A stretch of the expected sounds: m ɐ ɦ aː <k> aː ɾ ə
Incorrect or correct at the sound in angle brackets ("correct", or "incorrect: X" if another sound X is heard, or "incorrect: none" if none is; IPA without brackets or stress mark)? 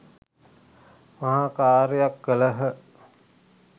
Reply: correct